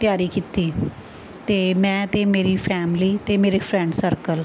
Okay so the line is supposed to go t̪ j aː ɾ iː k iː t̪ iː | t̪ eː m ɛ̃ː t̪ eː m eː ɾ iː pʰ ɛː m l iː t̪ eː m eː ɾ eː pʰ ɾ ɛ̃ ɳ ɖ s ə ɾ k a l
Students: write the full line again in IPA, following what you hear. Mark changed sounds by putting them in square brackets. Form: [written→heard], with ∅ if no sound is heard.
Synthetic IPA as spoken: t̪ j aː ɾ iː k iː t̪ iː | t̪ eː m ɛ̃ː t̪ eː m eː ɾ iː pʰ ɛː m l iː t̪ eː m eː ɾ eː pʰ ɾ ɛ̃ ɳ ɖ s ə ɾ k [a→ə] l